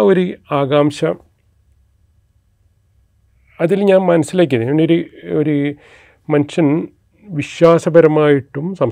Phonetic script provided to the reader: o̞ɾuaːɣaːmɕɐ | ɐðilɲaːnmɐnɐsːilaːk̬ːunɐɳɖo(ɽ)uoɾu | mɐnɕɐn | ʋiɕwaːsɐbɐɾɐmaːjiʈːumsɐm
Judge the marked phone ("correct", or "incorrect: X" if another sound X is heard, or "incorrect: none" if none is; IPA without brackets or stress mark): incorrect: ɾ